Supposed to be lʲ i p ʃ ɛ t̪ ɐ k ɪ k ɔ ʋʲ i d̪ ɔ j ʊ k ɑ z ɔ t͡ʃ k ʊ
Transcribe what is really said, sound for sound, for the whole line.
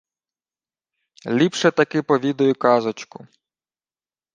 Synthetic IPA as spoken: lʲ i p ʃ ɛ t̪ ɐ k ɪ p ɔ ʋʲ i d̪ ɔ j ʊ k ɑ z ɔ t͡ʃ k ʊ